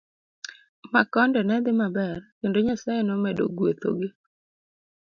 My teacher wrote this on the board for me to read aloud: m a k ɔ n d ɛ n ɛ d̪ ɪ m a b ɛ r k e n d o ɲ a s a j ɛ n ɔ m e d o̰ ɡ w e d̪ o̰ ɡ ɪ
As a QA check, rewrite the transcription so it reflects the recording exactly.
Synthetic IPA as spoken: m a k ɔ n d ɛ n ɛ d̪ ɪ m a b ɛ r k e n d o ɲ a s a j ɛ n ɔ m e d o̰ ɡ w e t̪ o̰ ɡ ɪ

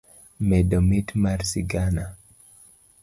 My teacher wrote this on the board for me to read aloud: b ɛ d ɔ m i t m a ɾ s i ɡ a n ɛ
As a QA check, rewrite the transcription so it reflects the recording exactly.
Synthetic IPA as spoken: m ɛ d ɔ m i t m a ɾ s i ɡ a n a

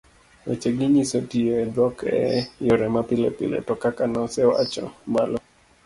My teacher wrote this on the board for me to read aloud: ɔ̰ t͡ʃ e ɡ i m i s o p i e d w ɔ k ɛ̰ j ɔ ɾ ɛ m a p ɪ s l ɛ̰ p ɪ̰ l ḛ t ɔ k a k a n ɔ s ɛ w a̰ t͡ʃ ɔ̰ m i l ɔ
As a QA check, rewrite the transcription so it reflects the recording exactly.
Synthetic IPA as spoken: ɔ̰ t͡ʃ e ɡ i ɲ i s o t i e d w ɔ k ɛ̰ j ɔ ɾ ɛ m a p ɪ l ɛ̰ p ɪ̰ l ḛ t ɔ k a k a n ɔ s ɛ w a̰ t͡ʃ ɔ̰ m a l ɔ

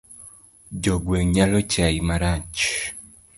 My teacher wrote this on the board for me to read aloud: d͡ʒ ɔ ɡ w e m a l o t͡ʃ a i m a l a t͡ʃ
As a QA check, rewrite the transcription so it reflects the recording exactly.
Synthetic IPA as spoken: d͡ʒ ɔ ɡ w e ɲ a l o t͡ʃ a i m a ɾ a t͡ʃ

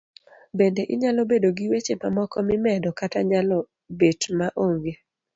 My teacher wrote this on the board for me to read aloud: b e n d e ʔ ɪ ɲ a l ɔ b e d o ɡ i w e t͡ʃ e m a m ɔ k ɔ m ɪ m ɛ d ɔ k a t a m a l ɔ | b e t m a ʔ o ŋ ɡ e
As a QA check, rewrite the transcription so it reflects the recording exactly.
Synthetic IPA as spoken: b e n d e ʔ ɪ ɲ a l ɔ b e d o ɡ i w e t͡ʃ e m a m ɔ k ɔ m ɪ m ɛ d ɔ k a t a ɲ a l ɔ | b e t m a ʔ o ŋ ɡ e

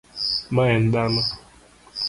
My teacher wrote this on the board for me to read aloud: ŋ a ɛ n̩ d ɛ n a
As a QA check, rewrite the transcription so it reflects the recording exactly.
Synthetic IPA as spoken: m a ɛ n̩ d a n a

